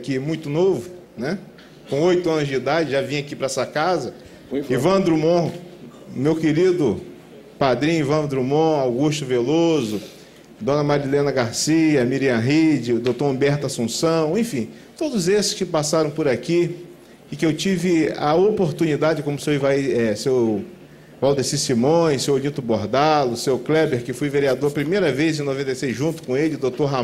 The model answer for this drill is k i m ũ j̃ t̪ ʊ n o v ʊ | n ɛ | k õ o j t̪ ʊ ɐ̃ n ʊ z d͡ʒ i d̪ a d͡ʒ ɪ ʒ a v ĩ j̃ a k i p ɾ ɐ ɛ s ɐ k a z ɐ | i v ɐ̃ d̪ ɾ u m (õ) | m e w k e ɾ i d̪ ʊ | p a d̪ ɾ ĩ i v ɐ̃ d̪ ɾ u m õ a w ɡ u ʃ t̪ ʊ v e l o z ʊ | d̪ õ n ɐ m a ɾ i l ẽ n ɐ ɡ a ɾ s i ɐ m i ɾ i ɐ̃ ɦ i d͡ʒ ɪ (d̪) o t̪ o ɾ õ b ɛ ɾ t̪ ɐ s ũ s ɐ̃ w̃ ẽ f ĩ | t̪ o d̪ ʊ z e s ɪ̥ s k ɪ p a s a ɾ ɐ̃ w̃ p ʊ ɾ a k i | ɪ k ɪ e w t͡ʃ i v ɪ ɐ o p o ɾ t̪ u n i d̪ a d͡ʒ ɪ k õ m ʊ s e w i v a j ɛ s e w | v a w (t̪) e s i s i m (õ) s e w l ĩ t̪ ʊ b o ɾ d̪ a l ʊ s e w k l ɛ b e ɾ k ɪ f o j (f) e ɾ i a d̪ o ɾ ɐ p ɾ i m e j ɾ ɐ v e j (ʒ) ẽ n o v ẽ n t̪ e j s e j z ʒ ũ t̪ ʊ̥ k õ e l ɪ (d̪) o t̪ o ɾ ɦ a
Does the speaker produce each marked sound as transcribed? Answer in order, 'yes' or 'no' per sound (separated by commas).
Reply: yes, yes, no, yes, no, no, yes